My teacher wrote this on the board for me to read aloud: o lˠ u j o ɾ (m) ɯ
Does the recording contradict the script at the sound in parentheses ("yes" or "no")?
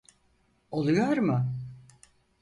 no